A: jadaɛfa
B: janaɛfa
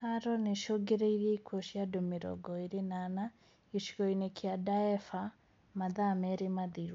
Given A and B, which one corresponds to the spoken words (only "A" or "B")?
A